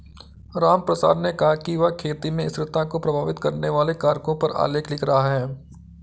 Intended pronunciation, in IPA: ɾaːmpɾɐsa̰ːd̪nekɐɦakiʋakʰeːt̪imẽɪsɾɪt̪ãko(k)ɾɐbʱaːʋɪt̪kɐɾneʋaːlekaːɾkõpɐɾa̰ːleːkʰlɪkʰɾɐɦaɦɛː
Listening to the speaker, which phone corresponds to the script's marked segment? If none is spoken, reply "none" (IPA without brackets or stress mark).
p